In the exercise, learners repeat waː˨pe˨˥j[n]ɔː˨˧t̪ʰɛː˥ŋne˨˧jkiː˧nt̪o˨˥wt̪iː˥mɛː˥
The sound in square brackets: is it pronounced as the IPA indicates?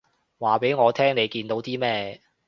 no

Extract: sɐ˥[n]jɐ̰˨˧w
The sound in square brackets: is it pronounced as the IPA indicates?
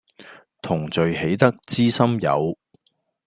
no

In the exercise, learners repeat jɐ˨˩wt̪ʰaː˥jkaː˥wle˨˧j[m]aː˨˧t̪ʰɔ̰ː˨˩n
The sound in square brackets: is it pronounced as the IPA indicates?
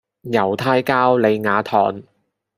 no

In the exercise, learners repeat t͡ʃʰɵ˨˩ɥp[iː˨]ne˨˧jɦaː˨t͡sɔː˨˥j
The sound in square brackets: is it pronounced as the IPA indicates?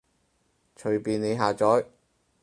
yes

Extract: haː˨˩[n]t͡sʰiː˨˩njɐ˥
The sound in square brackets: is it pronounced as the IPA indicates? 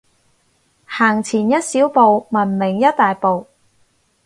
no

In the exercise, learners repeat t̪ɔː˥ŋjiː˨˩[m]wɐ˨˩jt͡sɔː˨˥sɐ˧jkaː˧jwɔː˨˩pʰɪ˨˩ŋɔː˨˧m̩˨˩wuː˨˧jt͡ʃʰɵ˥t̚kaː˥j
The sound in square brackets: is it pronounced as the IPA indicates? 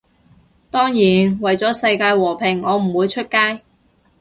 no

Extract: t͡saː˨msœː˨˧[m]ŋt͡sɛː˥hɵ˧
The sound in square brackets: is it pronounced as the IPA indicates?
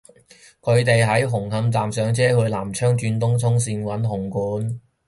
no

